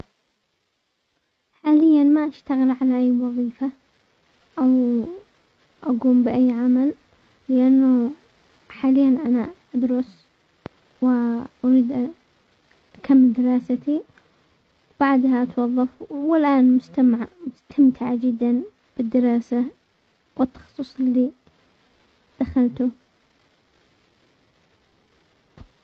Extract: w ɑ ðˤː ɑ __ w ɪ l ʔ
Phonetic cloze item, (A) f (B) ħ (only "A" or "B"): A